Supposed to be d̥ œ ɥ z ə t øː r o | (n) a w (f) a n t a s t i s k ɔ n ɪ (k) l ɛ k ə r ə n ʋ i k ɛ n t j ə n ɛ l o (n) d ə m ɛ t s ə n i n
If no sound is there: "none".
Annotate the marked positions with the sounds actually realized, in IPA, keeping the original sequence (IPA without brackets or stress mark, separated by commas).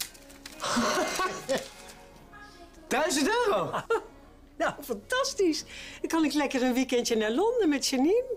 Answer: n, f, k, n